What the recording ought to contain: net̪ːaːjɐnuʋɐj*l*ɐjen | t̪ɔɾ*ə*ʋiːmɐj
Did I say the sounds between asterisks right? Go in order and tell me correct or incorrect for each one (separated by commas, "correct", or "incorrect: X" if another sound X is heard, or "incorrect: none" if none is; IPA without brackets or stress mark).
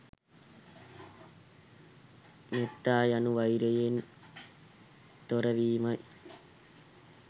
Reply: incorrect: ɾ, incorrect: ɐ